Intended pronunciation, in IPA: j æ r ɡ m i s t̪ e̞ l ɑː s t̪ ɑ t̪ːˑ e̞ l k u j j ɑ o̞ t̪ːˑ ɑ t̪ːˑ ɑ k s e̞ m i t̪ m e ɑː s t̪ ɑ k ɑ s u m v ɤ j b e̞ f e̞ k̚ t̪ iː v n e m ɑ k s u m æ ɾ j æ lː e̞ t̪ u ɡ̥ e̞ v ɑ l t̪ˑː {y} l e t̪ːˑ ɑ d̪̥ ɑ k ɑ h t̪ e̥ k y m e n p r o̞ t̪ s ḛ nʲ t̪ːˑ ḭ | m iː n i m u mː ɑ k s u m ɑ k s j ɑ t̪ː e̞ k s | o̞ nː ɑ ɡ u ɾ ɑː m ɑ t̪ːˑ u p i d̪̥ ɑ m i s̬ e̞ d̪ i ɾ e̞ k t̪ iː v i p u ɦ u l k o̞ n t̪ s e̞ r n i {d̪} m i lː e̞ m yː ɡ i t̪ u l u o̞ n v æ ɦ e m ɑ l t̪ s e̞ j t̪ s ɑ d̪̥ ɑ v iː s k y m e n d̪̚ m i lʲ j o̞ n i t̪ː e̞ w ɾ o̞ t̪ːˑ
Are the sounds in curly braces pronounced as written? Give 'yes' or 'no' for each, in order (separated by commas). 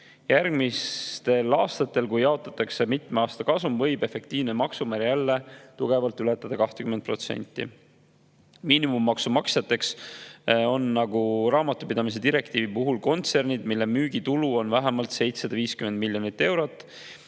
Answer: yes, yes